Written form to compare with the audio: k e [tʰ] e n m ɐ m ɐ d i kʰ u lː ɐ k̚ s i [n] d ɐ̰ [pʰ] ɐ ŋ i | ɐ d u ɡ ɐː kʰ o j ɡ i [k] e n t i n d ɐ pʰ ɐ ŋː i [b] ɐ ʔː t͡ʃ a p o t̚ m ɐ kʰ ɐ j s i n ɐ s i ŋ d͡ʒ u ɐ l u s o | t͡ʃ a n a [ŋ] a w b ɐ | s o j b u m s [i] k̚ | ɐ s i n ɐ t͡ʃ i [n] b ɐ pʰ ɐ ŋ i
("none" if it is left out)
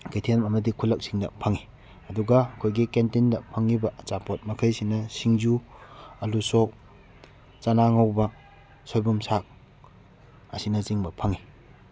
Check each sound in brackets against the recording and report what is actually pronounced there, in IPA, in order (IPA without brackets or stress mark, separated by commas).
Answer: tʰ, ŋ, pʰ, k, b, ŋ, a, ŋ